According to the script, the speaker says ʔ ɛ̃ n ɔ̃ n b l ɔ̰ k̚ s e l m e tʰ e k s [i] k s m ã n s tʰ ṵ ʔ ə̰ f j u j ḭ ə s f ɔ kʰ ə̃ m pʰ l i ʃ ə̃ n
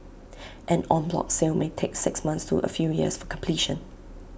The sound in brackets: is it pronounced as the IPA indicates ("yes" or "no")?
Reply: no